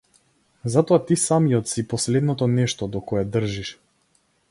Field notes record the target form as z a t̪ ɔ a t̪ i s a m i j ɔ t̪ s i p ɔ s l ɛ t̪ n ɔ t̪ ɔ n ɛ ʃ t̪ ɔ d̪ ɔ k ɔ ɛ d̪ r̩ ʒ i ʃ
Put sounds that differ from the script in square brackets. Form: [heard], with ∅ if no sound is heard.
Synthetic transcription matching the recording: z a t̪ ɔ a t̪ i s a m i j ɔ t̪ s i p ɔ s l ɛ [d̪] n ɔ t̪ ɔ n ɛ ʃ t̪ ɔ d̪ ɔ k ɔ ɛ d̪ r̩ ʒ i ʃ